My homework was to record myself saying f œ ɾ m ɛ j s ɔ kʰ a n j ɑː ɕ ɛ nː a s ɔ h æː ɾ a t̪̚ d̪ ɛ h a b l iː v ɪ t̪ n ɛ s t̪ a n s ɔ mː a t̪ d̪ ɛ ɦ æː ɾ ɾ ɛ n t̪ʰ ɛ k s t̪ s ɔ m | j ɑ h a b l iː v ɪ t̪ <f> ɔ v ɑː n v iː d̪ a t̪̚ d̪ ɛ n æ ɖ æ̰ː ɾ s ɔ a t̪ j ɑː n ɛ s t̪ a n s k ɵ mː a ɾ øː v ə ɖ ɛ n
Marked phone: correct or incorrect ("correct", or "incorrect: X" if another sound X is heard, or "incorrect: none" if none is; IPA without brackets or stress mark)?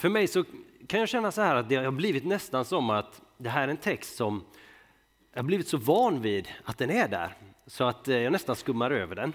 incorrect: s